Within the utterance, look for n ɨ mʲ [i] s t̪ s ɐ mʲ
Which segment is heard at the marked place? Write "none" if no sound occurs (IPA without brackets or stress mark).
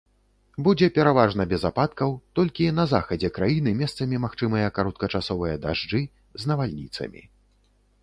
ɛ